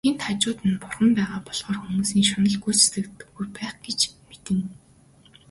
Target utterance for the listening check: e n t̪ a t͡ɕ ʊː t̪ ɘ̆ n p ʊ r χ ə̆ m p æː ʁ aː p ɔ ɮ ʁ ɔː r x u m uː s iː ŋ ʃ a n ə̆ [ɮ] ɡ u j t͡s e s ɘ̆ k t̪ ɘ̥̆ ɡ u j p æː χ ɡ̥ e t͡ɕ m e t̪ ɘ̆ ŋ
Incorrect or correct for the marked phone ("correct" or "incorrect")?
correct